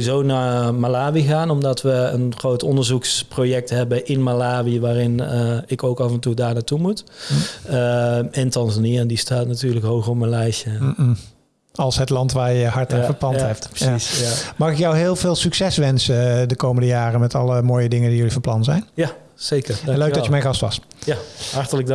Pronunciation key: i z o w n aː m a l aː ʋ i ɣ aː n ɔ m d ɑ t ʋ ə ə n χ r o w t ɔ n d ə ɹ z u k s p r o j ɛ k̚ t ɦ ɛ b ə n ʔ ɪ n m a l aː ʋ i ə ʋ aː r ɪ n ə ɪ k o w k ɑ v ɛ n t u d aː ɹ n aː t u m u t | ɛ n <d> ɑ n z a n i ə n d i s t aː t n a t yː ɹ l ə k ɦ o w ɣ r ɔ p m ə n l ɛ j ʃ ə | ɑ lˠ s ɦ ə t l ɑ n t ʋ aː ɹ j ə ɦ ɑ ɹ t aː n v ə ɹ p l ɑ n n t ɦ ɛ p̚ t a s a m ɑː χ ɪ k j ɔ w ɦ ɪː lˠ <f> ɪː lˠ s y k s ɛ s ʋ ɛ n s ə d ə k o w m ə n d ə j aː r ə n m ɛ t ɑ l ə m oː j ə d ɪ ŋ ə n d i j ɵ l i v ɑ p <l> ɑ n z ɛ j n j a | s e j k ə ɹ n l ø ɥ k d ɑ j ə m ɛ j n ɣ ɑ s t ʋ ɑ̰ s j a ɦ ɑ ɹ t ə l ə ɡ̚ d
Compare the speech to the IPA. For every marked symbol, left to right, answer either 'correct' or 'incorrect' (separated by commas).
incorrect, incorrect, correct